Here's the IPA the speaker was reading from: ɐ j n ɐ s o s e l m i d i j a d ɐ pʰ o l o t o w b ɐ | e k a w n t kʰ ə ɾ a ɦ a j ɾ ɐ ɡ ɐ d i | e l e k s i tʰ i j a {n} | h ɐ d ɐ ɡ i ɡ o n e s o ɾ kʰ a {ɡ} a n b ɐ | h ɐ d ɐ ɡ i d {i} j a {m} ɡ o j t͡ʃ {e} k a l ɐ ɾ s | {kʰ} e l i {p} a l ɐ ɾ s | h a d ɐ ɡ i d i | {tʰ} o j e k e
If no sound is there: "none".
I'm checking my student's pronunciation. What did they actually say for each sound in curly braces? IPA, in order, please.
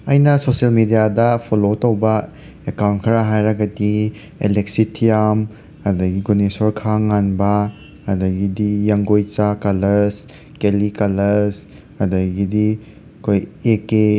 m, ŋ, i, ŋ, a, k, k, kʰ

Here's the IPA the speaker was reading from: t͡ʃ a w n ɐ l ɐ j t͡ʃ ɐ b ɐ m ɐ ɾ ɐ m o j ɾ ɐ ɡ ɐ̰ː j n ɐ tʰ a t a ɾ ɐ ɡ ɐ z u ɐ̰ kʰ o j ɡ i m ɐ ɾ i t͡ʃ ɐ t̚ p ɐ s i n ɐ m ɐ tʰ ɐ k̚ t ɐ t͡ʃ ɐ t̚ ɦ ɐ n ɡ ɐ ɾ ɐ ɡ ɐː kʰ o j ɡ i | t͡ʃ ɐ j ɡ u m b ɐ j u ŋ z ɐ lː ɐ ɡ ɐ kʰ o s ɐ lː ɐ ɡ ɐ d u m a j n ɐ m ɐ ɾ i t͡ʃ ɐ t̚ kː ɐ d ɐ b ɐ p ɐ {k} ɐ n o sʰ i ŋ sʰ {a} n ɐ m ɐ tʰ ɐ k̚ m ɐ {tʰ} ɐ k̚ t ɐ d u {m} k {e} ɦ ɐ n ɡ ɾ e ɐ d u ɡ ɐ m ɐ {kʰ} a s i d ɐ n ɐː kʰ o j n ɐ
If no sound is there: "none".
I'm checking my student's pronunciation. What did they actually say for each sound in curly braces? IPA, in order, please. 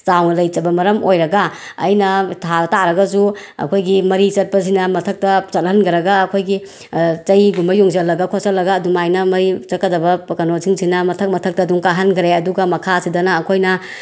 k, i, tʰ, ŋ, a, kʰ

